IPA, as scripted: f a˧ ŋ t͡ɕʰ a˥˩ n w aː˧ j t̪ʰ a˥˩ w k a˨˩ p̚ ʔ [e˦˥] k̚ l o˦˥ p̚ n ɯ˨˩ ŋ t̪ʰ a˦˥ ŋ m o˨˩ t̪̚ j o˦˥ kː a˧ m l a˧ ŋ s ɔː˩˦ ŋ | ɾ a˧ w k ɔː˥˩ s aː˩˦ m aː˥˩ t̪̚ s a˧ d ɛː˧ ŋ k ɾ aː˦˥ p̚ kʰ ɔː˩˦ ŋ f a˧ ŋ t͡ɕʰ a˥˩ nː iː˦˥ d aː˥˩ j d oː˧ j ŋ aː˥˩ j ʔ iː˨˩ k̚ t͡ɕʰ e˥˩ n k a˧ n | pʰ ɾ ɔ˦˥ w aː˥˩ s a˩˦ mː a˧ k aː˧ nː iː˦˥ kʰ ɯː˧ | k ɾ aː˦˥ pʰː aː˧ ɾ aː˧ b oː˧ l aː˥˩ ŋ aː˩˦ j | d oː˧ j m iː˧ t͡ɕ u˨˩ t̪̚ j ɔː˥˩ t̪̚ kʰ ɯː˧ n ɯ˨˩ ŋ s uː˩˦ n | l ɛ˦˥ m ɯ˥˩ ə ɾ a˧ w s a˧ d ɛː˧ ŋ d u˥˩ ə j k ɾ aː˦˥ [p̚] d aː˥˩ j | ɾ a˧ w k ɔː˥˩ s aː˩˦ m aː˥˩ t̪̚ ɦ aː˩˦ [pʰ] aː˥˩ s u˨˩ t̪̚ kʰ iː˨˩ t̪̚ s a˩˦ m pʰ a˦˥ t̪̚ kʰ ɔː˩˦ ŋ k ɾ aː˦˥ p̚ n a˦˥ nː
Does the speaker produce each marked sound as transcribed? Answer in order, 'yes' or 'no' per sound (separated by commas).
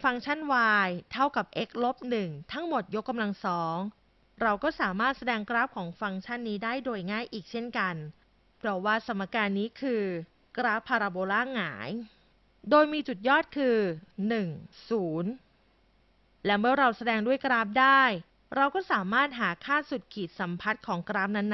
yes, yes, no